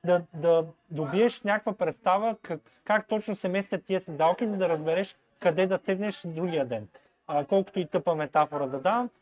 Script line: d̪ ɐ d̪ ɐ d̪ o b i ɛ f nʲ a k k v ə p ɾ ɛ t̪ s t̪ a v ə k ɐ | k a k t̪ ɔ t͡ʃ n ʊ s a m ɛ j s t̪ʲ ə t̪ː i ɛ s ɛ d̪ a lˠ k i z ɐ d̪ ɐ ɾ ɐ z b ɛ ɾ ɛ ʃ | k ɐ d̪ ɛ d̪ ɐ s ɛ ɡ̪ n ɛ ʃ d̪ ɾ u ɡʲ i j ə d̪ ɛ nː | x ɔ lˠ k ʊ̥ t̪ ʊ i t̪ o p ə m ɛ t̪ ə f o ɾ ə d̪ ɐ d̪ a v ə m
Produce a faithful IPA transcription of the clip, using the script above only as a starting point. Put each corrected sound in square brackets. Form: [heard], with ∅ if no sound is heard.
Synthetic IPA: d̪ ɐ d̪ ɐ d̪ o b i ɛ [ʃ] nʲ a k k v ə p ɾ ɛ t̪ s t̪ a v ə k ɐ | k a k t̪ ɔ t͡ʃ n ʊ s [ɛ] m ɛ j s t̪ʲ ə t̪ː i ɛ s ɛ d̪ a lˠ k i z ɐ d̪ ɐ ɾ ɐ z b ɛ ɾ ɛ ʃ | k ɐ d̪ ɛ d̪ ɐ s ɛ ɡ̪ n ɛ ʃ d̪ ɾ u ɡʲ i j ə d̪ ɛ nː | [k] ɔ lˠ k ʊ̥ t̪ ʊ i t̪ [ɤ] p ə m ɛ t̪ [a] f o ɾ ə d̪ ɐ d̪ a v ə m